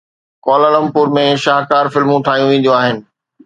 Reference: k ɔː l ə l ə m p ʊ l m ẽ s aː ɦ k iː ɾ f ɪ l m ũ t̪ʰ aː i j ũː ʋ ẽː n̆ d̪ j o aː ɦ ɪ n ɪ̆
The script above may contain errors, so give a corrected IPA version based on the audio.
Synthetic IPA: k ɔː l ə l ə m p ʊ ɾ m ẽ ʃ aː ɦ k aː ɾ f ɪ l m ũ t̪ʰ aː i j ũ ʋ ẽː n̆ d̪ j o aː ɦ ɪ n ɪ̆